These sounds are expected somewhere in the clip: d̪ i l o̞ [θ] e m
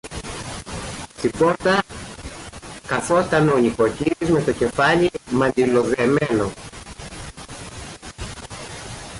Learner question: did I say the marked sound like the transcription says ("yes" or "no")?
no